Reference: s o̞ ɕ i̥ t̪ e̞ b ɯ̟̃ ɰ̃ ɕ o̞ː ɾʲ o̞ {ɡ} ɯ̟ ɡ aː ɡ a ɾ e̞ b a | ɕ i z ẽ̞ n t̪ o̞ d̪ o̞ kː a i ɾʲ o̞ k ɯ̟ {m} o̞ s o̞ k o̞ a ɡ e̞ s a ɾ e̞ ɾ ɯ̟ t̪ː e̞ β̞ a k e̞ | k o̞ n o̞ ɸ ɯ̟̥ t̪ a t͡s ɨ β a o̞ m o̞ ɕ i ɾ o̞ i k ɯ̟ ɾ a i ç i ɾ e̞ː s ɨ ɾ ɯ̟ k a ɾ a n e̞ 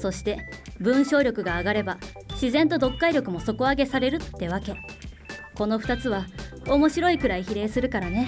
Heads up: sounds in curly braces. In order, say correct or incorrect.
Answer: incorrect: k, correct

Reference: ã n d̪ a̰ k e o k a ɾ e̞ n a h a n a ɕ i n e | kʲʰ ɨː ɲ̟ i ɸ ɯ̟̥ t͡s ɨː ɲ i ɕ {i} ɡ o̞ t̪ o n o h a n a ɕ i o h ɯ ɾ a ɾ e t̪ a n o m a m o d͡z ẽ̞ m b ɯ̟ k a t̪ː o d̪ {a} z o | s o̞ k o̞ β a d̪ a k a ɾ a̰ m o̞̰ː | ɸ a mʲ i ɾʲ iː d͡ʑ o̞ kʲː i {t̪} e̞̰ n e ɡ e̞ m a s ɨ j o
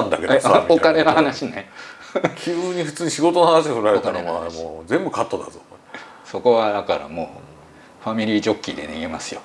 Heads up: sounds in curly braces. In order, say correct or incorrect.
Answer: correct, correct, incorrect: d̪

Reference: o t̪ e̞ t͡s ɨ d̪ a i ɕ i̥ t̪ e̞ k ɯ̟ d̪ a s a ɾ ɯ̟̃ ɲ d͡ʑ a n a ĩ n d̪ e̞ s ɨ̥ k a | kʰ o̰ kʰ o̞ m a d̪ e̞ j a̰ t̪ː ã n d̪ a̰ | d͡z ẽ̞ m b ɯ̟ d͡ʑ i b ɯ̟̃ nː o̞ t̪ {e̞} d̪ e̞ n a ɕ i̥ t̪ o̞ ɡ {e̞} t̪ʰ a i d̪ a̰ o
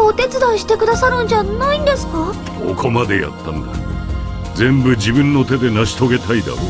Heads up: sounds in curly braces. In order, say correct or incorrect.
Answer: correct, correct

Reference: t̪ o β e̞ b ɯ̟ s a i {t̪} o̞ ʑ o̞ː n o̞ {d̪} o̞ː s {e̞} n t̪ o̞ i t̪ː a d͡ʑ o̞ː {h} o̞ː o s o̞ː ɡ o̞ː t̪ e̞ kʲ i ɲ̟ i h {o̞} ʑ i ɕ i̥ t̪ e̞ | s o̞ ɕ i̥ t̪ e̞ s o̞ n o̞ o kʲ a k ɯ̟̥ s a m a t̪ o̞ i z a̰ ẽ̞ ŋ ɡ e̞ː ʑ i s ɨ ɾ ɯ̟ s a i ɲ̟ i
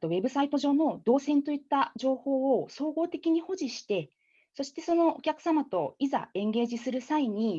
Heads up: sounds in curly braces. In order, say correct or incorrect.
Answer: correct, correct, incorrect: ẽ̞, correct, correct

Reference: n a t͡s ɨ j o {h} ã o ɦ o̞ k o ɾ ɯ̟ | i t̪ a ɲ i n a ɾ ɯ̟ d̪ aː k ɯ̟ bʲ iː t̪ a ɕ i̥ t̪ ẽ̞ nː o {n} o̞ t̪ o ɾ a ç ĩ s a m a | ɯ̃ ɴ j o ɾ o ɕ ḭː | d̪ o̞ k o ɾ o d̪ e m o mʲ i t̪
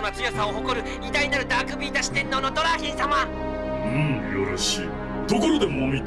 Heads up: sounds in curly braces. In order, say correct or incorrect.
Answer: incorrect: s, correct

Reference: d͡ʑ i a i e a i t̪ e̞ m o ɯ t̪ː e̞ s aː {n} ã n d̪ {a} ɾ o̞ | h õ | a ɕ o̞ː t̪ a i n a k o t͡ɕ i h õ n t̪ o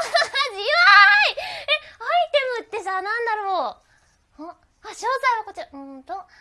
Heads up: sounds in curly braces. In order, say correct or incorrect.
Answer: correct, correct

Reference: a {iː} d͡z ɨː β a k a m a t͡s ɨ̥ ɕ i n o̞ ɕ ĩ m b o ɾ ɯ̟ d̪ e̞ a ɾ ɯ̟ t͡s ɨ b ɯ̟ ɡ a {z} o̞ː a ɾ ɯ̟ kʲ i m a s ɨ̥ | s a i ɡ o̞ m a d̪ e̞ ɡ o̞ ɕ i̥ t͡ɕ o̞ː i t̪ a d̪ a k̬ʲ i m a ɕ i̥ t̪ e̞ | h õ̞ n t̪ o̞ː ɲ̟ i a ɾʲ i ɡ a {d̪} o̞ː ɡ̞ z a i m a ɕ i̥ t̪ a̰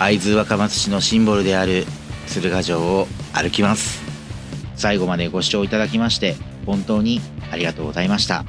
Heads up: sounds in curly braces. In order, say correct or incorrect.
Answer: incorrect: i, incorrect: ʑ, incorrect: t̪

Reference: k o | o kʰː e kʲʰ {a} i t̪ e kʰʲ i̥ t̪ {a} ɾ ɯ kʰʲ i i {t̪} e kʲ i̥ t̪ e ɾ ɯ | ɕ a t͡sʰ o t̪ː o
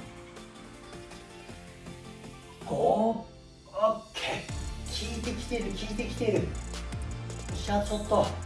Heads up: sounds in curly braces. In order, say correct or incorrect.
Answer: incorrect: i, incorrect: e, correct

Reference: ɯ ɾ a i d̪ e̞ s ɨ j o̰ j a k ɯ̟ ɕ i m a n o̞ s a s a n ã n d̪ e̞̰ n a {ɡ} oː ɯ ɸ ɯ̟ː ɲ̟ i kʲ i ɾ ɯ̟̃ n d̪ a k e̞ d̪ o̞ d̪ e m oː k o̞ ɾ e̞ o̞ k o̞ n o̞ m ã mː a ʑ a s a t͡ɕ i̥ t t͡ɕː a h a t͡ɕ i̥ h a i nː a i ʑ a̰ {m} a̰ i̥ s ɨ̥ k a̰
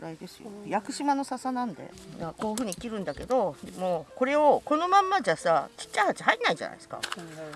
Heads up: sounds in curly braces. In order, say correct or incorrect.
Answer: incorrect: k, incorrect: n

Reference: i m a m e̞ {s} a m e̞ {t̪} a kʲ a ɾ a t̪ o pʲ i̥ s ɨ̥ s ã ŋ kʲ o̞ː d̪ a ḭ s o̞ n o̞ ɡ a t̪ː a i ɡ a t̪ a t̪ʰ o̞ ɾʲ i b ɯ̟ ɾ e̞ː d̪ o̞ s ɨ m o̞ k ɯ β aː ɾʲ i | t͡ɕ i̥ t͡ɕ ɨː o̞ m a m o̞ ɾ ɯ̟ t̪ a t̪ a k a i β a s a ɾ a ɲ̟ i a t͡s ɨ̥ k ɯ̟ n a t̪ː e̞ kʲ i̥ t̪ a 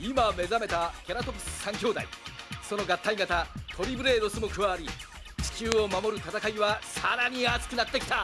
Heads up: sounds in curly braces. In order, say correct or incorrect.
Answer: incorrect: z, correct

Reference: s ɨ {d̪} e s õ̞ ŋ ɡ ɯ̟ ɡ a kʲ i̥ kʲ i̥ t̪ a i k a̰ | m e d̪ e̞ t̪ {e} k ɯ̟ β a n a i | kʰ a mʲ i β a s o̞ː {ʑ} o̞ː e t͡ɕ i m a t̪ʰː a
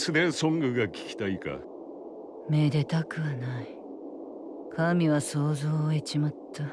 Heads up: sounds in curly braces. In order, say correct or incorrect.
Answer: correct, incorrect: a, incorrect: z

